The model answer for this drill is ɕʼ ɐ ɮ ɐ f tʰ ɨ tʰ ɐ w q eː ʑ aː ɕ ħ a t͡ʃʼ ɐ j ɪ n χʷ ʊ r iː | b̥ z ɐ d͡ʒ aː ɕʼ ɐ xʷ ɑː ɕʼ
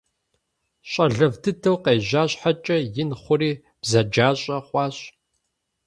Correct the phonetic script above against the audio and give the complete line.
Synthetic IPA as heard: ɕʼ ɐ ɮ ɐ v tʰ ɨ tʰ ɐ w q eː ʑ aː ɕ ħ a t͡ʃʼ ɐ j ɪ n χʷ ʊ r iː | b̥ z ɐ d͡ʒ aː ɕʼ ɐ χʷ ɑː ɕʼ